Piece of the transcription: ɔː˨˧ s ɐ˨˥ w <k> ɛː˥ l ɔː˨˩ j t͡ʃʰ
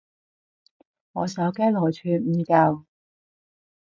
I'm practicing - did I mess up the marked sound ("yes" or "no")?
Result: no